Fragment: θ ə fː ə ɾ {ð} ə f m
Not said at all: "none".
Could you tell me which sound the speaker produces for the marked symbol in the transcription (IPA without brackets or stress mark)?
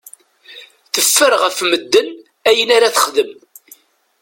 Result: ʁ